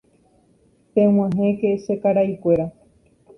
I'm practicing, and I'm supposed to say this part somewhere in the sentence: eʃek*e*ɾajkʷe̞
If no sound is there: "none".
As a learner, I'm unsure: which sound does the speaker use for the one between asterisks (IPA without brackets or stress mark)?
a